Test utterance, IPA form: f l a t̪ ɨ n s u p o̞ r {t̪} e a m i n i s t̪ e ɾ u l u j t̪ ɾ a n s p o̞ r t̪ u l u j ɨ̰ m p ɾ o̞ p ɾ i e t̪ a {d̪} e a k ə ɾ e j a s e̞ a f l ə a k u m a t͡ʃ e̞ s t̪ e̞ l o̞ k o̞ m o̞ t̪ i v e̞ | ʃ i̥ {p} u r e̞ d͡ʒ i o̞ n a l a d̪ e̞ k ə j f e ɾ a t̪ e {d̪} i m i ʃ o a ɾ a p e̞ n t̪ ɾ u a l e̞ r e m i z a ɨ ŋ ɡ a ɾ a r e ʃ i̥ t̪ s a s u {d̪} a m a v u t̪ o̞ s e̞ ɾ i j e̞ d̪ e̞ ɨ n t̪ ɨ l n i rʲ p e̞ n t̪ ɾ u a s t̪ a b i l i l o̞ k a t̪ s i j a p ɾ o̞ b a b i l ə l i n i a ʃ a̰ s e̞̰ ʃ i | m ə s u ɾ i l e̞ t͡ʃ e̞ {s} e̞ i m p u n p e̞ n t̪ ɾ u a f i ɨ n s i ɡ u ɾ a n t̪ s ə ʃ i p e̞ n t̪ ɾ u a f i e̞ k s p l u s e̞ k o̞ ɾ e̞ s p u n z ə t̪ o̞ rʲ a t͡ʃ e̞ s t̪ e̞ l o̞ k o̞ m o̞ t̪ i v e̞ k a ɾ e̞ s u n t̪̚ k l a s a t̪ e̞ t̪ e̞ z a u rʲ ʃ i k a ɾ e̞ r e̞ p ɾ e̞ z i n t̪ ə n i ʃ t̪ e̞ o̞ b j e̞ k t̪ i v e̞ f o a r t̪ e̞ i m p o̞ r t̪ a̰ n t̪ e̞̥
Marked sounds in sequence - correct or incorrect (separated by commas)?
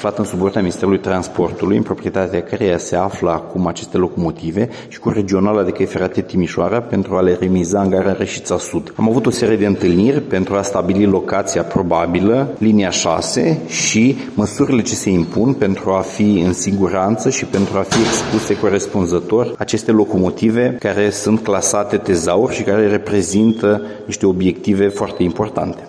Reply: correct, incorrect, incorrect, incorrect, correct, correct